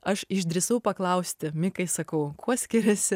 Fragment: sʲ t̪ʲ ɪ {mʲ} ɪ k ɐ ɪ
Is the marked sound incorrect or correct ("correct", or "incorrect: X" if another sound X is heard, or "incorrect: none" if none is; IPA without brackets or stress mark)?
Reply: correct